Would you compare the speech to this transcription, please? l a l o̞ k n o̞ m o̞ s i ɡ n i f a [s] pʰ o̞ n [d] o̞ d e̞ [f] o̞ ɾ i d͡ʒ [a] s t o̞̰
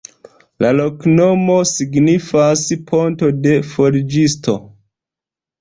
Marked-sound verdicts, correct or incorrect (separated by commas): correct, incorrect, correct, incorrect